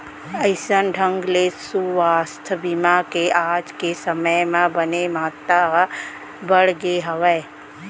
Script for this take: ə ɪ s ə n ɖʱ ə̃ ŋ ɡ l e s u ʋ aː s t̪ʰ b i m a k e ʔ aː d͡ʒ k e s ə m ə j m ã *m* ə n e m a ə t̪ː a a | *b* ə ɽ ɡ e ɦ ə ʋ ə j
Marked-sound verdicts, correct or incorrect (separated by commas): incorrect, correct